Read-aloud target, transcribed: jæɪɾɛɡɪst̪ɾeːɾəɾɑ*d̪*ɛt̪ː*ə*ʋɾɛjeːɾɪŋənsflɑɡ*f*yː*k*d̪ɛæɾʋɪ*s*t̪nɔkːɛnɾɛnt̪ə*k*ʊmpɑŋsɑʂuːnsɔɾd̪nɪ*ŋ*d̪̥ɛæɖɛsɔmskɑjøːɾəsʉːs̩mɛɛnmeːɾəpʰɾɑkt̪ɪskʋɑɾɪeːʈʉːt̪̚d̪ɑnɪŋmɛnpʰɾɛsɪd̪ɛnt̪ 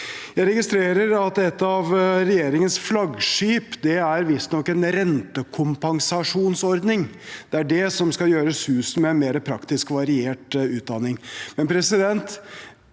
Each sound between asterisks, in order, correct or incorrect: incorrect: t̪, incorrect: ɑ, incorrect: ʂ, incorrect: p, correct, incorrect: kʰ, correct

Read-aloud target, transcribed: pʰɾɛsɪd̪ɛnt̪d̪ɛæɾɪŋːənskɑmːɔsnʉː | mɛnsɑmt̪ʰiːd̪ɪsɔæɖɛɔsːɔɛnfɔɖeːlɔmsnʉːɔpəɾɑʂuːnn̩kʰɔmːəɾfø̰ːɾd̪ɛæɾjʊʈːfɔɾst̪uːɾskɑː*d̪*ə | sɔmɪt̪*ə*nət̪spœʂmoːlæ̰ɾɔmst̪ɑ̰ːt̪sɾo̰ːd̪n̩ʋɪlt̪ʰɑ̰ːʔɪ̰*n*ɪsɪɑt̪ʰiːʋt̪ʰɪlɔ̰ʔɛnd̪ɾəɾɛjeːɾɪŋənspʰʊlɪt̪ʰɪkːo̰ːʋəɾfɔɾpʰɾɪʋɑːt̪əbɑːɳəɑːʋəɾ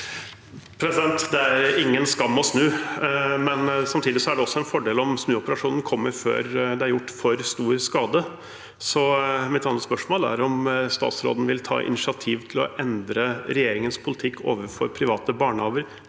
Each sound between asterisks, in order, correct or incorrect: correct, incorrect: ɑ, correct

